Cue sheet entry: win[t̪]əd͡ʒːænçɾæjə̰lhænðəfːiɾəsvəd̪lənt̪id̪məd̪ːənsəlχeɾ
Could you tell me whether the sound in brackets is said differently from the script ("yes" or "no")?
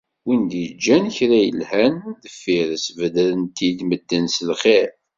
yes